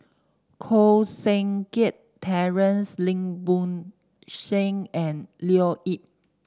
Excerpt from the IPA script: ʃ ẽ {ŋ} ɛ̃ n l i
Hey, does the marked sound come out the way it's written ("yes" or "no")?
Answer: yes